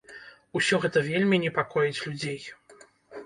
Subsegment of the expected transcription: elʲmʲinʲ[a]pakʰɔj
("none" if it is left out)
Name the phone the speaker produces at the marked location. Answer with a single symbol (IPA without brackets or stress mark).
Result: ɛ